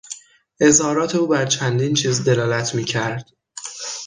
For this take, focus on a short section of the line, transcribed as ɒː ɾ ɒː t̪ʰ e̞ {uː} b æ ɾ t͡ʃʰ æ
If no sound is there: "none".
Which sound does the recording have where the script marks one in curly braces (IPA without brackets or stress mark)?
uː